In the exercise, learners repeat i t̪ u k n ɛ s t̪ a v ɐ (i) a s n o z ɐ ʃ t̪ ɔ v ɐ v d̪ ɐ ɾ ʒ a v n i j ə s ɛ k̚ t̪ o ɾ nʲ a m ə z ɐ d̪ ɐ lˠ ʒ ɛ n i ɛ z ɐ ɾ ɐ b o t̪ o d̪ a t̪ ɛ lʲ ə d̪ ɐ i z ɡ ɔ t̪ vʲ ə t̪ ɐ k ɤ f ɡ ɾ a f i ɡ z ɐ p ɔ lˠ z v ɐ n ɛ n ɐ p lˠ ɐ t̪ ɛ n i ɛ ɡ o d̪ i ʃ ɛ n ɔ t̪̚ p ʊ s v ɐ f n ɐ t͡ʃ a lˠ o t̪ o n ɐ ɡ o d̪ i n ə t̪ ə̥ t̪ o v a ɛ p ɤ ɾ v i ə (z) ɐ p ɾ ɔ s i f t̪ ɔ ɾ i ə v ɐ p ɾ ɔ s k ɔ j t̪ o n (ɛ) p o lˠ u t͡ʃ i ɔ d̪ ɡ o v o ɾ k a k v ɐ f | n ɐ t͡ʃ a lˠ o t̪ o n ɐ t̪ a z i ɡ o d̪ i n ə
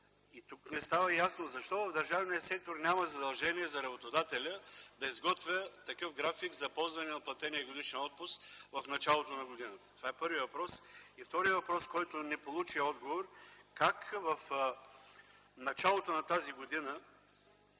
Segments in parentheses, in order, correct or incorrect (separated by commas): incorrect, incorrect, correct